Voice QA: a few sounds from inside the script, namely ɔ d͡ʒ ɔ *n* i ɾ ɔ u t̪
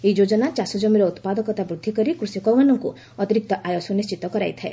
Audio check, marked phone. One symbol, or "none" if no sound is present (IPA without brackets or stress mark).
m